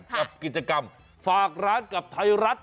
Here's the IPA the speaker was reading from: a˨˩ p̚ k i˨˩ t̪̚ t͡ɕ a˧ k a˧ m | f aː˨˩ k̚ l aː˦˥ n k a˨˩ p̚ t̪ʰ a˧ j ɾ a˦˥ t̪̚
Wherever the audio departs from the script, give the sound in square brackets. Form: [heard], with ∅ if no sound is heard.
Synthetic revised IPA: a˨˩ p̚ k i˨˩ t̪̚ t͡ɕ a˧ k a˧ m | f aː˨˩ k̚ [ɾ] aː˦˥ n k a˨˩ p̚ t̪ʰ a˧ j ɾ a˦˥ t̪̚